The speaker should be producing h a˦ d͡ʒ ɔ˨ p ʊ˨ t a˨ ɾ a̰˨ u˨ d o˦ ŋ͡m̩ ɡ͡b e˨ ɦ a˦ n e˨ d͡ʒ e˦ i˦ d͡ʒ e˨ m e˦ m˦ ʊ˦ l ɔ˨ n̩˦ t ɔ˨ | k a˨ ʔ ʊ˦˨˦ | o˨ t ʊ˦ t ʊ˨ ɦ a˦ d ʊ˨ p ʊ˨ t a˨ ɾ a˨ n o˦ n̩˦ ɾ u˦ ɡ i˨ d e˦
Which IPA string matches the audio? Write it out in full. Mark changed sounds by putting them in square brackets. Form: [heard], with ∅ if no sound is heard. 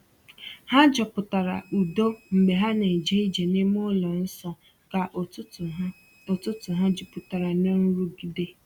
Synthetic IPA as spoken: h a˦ d͡ʒ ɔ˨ p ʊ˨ t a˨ ɾ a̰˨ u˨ d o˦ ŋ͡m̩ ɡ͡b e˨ ɦ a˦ n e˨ d͡ʒ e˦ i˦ d͡ʒ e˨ [n] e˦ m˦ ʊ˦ l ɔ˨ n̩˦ [s] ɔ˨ | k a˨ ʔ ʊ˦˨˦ | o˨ t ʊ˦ t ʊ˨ ɦ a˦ [d͡ʒ] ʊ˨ p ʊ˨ t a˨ ɾ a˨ n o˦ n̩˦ ɾ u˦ ɡ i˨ d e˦